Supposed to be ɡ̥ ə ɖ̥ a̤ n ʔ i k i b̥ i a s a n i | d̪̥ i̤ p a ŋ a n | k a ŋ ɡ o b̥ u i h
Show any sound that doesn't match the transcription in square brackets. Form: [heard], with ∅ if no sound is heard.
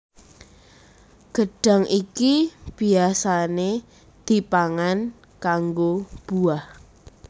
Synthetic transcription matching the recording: ɡ̥ ə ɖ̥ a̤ [ŋ] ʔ i k i b̥ i a s a n [e] | d̪̥ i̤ p a ŋ a n | k a ŋ ɡ o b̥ u [a] h